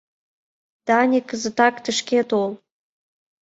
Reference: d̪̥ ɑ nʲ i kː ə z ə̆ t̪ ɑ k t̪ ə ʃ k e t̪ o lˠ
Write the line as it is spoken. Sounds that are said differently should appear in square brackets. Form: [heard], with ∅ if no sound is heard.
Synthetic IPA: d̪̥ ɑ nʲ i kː ə z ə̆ t̪ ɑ k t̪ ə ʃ k e t̪ o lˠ